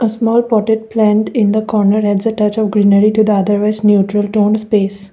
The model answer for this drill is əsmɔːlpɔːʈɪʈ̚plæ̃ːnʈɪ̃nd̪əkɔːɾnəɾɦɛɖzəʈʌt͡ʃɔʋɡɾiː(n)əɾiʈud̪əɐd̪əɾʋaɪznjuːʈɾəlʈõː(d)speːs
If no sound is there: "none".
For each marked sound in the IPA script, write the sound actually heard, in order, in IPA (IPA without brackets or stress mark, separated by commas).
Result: n, n